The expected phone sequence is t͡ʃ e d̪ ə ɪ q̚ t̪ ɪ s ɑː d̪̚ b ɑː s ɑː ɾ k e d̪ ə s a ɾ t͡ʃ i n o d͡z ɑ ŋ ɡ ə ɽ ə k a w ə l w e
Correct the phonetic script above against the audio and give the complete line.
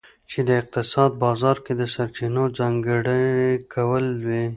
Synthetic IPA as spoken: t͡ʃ e d̪ ə ɪ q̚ t̪ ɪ s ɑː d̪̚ b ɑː z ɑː ɾ k e d̪ ə s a ɾ t͡ʃ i n o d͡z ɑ ŋ ɡ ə ɽ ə k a w ə l w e